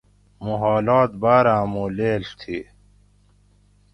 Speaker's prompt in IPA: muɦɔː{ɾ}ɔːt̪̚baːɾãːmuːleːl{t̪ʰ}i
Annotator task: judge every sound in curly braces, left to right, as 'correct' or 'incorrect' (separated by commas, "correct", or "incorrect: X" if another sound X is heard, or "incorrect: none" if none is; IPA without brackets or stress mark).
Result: incorrect: l, correct